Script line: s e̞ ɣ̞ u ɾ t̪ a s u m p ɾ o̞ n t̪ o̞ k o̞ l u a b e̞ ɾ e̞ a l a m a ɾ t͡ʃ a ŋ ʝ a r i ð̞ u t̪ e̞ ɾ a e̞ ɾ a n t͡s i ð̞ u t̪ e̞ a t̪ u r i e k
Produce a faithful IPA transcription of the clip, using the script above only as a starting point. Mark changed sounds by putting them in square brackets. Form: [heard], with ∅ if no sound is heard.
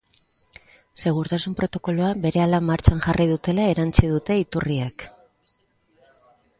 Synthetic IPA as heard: s e̞ ɣ̞ u ɾ t̪ a s u m p ɾ o̞ [∅] t̪ o̞ k o̞ l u a b e̞ ɾ e̞ a l a m a ɾ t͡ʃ a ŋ ʝ a r i ð̞ u t̪ e̞ [l] a e̞ ɾ a n t͡s i ð̞ u t̪ e̞ [i] t̪ u r i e k

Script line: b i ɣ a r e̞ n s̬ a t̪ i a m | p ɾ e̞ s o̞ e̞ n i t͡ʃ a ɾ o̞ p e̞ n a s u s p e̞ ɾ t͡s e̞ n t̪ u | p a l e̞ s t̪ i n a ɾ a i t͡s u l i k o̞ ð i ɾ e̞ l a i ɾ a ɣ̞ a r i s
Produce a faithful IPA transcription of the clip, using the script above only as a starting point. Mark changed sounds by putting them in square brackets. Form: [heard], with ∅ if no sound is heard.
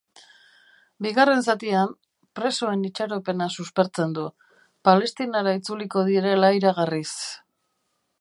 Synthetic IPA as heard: b i ɣ a r e̞ n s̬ a t̪ i a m | p ɾ e̞ s o̞ e̞ n i t͡ʃ a ɾ o̞ p e̞ n a s u s p e̞ ɾ t͡s e̞ n [d̪] u | p a l e̞ s t̪ i n a ɾ a i t͡s u l i k o̞ ð i ɾ e̞ l a i ɾ a ɣ̞ a r i s

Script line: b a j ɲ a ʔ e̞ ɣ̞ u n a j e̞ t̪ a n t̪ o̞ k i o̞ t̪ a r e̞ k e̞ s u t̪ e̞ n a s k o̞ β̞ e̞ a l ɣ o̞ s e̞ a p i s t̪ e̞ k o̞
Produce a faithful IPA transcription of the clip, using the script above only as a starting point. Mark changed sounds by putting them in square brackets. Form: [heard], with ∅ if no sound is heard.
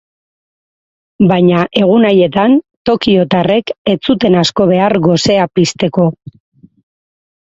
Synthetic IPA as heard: b a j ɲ a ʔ e̞ ɣ̞ u n a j e̞ t̪ a n t̪ o̞ k i o̞ t̪ a r e̞ k e̞ [t͡s] u t̪ e̞ n a s k o̞ β̞ e̞ a [ɾ] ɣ o̞ s e̞ a p i s t̪ e̞ k o̞

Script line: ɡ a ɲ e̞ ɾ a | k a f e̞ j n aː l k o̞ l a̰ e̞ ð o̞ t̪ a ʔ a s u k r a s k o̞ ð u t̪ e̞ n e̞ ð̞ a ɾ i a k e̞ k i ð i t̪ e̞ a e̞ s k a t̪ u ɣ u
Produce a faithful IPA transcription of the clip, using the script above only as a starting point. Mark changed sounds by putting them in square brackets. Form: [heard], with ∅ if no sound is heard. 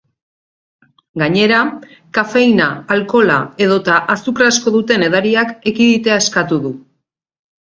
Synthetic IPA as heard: ɡ a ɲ e̞ ɾ a | k a f e̞ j n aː l k o̞ l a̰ e̞ ð o̞ t̪ a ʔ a s u k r a s k o̞ ð u t̪ e̞ n e̞ ð̞ a ɾ i a k e̞ k i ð i t̪ e̞ a e̞ s k a t̪ u [ð] u

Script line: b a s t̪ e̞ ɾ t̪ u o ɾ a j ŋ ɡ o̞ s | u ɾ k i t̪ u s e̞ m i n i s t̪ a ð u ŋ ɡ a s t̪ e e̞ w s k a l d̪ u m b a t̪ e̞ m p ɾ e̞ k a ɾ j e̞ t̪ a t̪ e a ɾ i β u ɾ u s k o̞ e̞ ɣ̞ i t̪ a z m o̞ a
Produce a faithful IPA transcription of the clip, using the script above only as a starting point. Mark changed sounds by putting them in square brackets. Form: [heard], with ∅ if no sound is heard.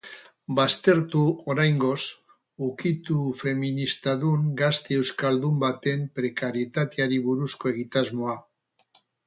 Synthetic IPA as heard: b a s t̪ e̞ ɾ t̪ u o ɾ a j ŋ ɡ o̞ s | u [∅] k i t̪ u [f] e̞ m i n i s t̪ a ð u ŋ ɡ a s t̪ e e̞ w s k a l d̪ u m b a t̪ e̞ m p ɾ e̞ k a ɾ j e̞ t̪ a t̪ e a ɾ i β u ɾ u s k o̞ e̞ ɣ̞ i t̪ a z m o̞ a

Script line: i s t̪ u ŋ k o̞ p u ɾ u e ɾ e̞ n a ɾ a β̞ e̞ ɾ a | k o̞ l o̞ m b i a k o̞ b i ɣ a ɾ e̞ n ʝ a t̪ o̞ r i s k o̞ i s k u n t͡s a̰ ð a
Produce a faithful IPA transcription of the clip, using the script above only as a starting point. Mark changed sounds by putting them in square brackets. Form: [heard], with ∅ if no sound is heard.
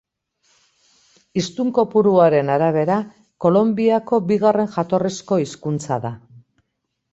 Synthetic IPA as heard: i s t̪ u ŋ k o̞ p u ɾ u [a] ɾ e̞ n a ɾ a β̞ e̞ ɾ a | k o̞ l o̞ m b i a k o̞ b i ɣ a [r] e̞ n ʝ a t̪ o̞ r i s k o̞ i s k u n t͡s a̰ ð a

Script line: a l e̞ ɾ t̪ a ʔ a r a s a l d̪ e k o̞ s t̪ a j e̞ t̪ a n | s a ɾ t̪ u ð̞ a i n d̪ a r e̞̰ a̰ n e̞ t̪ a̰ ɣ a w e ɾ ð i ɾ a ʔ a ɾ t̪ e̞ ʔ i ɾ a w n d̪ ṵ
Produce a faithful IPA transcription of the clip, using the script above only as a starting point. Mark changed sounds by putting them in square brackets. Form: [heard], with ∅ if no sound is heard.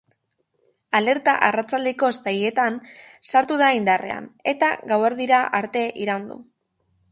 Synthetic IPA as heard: a l e̞ ɾ t̪ a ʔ a r a [t͡s] a l d̪ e k o̞ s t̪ a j e̞ t̪ a n | s a ɾ t̪ u ð̞ a i n d̪ a r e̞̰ a̰ n e̞ t̪ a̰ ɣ a w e ɾ ð i ɾ a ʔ a ɾ t̪ e̞ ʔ i ɾ a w n d̪ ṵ

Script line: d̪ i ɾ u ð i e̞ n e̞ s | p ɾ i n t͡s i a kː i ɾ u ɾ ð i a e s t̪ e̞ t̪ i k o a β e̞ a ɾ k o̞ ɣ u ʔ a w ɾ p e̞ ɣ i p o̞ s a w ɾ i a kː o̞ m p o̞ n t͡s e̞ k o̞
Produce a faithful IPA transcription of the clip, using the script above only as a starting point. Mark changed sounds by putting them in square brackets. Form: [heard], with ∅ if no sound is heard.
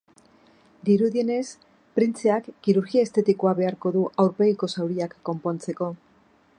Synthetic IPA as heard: d̪ i ɾ u ð i e̞ n e̞ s | p ɾ i n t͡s [e] a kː i ɾ u ɾ [ɣ] i a e s t̪ e̞ t̪ i k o a β e̞ a ɾ k o̞ [ð] u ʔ a w ɾ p e̞ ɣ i [k] o̞ s a w ɾ i a kː o̞ m p o̞ n t͡s e̞ k o̞

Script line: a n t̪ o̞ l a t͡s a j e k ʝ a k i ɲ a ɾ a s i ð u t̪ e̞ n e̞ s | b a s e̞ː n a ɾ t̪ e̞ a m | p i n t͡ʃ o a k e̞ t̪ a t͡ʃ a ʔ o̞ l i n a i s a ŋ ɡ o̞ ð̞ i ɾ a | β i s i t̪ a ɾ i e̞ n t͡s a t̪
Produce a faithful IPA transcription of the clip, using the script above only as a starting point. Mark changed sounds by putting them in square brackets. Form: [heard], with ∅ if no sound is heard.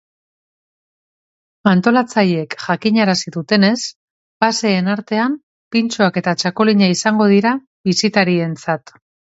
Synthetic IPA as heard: a n t̪ o̞ l a t͡s a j e k ʝ a k i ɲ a ɾ a s i ð u t̪ e̞ n e̞ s | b a s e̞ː n a ɾ t̪ e̞ a m | p i n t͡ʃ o a k e̞ t̪ a t͡ʃ a [k] o̞ l i [ɲ] a i s a ŋ ɡ o̞ ð̞ i ɾ a | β i s i t̪ a ɾ i e̞ n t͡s a t̪

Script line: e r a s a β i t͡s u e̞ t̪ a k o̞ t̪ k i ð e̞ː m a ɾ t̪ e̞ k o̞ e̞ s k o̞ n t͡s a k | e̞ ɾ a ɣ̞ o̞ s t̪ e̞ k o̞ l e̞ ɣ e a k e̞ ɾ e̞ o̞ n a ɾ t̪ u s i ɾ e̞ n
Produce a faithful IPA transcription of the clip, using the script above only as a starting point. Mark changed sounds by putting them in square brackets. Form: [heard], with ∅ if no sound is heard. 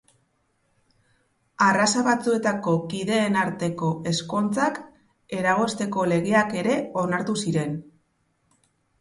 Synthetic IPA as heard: [a] r a s a β [a] t͡s u e̞ t̪ a k o̞ [∅] k i ð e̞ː [n] a ɾ t̪ e̞ k o̞ e̞ s k o̞ n t͡s a k | e̞ ɾ a ɣ̞ o̞ s t̪ e̞ k o̞ l e̞ ɣ e a k e̞ ɾ e̞ o̞ n a ɾ t̪ u s i ɾ e̞ n

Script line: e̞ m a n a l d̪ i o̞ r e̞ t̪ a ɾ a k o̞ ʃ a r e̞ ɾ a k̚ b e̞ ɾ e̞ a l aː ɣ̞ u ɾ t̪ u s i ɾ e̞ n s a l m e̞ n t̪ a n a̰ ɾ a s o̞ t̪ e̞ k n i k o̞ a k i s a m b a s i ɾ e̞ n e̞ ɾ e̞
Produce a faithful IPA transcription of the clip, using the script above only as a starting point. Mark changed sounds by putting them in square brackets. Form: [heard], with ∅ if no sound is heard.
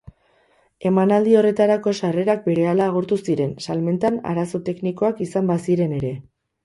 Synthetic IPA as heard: e̞ m a n a l d̪ i o̞ r e̞ t̪ a ɾ a k o̞ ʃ a r e̞ ɾ a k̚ b e̞ ɾ e̞ a l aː ɣ̞ u ɾ t̪ u s i ɾ e̞ n s a l m e̞ n t̪ a n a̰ ɾ a s o̞ t̪ e̞ k n i k o̞ a k i s a m b a s i ɾ e̞ n e̞ ɾ e̞

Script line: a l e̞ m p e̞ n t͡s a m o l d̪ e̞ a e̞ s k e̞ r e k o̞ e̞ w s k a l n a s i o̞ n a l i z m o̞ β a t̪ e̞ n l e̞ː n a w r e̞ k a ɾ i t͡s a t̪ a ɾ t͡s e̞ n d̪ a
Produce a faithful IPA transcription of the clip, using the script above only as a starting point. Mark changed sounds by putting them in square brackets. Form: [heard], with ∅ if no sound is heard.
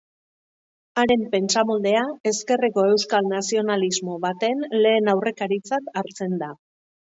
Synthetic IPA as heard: a [ɾ] e̞ m p e̞ n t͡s a m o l d̪ e̞ a e̞ s k e̞ r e k o̞ e̞ w s k a l n a s i o̞ n a l i z m o̞ β a t̪ e̞ n l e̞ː n a w r e̞ k a ɾ i t͡s a t̪ a ɾ t͡s e̞ n d̪ a

